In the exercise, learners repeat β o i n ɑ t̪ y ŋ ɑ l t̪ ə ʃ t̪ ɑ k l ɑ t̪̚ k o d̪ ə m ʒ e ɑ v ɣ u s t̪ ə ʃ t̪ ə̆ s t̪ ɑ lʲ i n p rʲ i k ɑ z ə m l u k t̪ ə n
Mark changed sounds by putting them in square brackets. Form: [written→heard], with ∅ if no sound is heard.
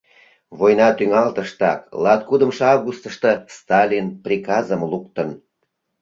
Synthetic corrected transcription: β o [i→j] n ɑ t̪ y ŋ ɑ l t̪ ə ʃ t̪ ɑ k l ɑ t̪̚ k [o→u] d̪ ə m [ʒ→ʃ] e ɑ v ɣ u s t̪ ə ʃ t̪ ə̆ s t̪ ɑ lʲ i n p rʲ i k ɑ z ə m l u k t̪ ə n